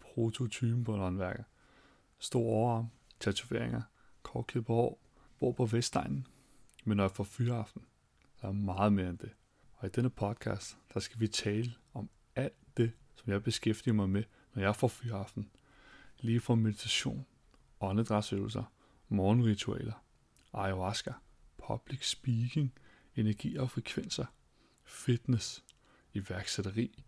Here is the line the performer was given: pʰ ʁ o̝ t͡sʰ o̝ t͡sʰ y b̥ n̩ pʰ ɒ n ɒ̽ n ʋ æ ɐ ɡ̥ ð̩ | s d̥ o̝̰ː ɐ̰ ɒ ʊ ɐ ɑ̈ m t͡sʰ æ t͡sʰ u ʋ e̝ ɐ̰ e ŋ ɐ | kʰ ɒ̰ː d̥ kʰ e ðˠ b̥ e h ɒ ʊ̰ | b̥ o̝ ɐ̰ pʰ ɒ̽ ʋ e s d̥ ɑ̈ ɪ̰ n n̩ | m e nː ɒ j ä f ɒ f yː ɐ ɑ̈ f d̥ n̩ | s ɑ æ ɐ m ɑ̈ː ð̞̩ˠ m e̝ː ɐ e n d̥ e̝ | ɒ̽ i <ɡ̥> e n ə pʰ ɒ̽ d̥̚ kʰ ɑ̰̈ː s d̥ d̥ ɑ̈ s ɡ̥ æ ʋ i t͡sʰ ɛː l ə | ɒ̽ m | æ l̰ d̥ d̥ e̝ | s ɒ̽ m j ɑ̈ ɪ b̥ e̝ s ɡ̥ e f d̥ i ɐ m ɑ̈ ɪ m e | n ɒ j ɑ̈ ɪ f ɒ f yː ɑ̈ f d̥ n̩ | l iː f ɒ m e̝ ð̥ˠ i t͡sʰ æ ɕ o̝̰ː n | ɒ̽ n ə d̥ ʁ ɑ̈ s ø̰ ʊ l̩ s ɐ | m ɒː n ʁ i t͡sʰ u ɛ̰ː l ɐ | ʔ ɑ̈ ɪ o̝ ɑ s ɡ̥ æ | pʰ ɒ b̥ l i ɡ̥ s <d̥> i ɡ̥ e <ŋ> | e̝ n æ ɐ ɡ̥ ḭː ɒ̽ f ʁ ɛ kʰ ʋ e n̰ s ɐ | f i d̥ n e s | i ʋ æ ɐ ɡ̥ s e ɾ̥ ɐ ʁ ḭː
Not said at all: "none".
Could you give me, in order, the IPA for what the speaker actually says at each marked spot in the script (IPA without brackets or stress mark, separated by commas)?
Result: d̥, b̥, ŋ